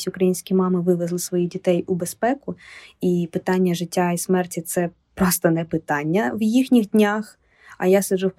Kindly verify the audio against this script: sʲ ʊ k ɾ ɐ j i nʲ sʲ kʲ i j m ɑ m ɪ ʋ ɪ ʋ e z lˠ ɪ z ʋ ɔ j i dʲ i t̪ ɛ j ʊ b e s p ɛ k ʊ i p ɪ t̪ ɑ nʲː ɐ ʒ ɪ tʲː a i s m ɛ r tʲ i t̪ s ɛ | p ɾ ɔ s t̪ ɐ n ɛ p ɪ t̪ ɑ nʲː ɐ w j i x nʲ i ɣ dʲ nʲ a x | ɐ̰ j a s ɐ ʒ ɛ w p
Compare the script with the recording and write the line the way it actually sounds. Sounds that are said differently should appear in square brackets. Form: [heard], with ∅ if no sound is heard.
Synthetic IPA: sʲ ʊ k ɾ ɐ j i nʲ sʲ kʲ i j m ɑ m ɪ ʋ ɪ ʋ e z lˠ ɪ [s] ʋ ɔ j i dʲ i t̪ ɛ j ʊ b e s p ɛ k ʊ i p ɪ t̪ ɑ nʲː ɐ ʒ ɪ tʲː a i s m ɛ r tʲ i t̪ s ɛ | p ɾ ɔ s t̪ ɐ n ɛ p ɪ t̪ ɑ nʲː ɐ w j i x nʲ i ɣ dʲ nʲ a x | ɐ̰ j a s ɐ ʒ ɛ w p